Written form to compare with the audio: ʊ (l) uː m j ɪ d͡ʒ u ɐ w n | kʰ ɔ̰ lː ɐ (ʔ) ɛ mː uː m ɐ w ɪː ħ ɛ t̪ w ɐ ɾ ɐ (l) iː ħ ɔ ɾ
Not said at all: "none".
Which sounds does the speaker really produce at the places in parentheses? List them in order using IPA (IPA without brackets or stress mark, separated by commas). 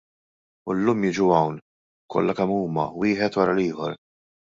lː, k, l